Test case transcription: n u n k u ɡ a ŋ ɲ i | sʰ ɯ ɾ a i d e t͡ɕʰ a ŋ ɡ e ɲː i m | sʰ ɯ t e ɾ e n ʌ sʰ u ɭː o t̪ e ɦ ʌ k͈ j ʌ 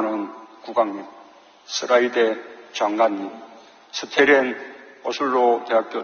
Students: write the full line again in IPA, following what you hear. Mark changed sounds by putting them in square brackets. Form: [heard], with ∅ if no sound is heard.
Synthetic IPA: n [ɯ] n k u ɡ a ŋ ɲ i | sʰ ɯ ɾ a i d e [t͡ɕ] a ŋ ɡ [a] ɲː i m | sʰ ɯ [tʰ] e ɾ e n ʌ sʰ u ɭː o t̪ e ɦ [a] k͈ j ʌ